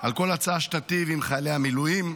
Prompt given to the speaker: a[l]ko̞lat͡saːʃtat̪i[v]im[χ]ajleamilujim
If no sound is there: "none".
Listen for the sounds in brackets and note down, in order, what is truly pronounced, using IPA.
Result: l, v, χ

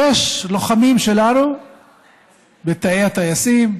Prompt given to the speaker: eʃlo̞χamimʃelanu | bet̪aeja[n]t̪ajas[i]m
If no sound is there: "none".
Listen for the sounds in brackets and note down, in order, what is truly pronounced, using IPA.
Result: none, i

